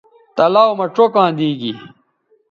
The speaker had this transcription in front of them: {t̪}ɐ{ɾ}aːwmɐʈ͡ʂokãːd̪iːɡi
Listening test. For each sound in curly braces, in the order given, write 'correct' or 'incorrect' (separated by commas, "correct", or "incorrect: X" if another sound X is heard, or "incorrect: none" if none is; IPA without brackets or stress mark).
correct, incorrect: l